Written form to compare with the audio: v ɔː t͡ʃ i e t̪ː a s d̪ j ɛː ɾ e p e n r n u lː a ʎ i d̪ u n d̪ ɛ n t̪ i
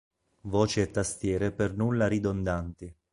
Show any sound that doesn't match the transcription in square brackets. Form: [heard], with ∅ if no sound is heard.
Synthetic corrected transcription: v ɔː t͡ʃ i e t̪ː a s [t̪] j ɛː ɾ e p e [∅] r n u lː a [ɾ] i d̪ [o] n d̪ [a] n t̪ i

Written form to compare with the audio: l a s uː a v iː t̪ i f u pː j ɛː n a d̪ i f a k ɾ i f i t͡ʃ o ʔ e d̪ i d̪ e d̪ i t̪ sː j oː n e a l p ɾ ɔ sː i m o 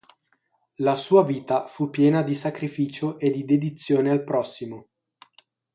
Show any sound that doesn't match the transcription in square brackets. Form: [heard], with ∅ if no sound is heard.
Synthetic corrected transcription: l a s uː a v iː t̪ [a] f u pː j ɛː n a d̪ i [s] a k ɾ i f [iː] t͡ʃ o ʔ e d̪ i d̪ e d̪ i t̪ sː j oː n e a l p ɾ ɔ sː i m o

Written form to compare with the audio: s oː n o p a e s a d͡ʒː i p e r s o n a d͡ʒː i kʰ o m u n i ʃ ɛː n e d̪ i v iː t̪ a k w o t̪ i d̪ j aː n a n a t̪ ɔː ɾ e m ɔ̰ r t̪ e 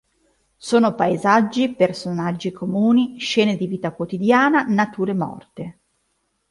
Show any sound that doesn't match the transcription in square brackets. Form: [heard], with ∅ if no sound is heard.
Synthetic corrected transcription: s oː n o p a e [z] a d͡ʒː i p e r s o n a d͡ʒː i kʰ o m [uː] n i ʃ ɛː n e d̪ i v iː t̪ a k w o t̪ i d̪ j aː n a n a t̪ [uː] ɾ e m ɔ̰ r t̪ e

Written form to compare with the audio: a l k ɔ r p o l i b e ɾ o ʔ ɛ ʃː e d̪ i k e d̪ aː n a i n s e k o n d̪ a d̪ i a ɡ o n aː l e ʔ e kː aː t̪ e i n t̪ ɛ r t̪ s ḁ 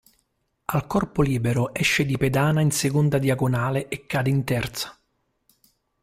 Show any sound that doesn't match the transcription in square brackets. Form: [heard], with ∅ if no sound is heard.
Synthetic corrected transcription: a l k ɔ r p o l [iː] b e ɾ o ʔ ɛ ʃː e d̪ i [p] e d̪ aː n a i n s e k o n d̪ a d̪ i a ɡ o n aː l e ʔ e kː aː [d̪] e i n t̪ ɛ r t̪ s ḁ

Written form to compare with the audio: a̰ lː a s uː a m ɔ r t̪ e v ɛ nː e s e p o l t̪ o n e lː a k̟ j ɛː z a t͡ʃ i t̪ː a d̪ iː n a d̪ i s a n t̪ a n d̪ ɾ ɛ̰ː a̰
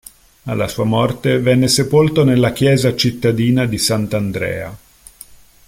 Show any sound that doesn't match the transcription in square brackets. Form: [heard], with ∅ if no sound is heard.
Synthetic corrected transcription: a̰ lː a s uː a m ɔ r t̪ e v ɛ nː e s e p o l t̪ o n e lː a k̟ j ɛː z a t͡ʃ i t̪ː a d̪ iː n a d̪ i s a n t̪ a n d̪ ɾ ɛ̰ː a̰

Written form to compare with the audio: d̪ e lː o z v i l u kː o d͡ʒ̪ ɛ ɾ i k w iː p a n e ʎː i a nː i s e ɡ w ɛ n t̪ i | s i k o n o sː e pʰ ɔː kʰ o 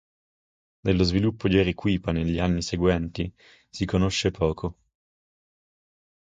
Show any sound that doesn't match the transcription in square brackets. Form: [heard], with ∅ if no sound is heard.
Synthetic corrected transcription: d̪ e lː o z v i l u [pː] o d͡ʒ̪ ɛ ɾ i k w iː p a n e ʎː i a nː i s e ɡ w ɛ n t̪ i | s i k o n o [ʃː] e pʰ ɔː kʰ o

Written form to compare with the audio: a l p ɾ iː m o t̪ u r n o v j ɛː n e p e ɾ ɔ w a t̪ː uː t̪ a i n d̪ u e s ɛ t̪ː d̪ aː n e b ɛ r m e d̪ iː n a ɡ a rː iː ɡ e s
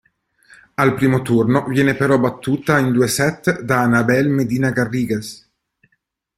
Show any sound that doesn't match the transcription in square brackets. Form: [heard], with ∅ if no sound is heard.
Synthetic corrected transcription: a l p ɾ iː m o t̪ u r n o v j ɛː n e p e ɾ ɔ [b] a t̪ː uː t̪ a i n d̪ u e s ɛ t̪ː d̪ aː n [a] b ɛ [l] m e d̪ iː n a ɡ a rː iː ɡ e s

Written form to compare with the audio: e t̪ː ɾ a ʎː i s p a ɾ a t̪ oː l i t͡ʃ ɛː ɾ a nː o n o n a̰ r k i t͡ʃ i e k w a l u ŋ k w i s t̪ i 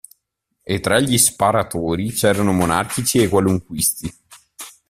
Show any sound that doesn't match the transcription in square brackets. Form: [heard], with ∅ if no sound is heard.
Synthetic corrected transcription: e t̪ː ɾ a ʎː i s p a ɾ a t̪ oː [ɾ] i t͡ʃ ɛː ɾ a [n] o [m] o n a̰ r k i t͡ʃ i e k w a l u ŋ k w i s t̪ i

